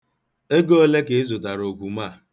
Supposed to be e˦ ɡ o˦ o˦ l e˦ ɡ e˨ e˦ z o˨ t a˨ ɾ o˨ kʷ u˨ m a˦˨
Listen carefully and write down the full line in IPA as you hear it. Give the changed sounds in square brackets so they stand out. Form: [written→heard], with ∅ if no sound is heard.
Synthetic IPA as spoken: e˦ ɡ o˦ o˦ l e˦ [ɡ→k] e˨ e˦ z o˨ t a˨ ɾ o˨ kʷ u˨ m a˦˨